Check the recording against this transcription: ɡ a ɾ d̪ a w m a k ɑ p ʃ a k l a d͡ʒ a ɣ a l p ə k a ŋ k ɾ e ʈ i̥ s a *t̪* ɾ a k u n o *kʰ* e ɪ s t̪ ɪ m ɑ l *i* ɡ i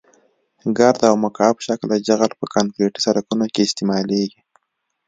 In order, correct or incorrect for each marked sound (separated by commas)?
incorrect, incorrect, incorrect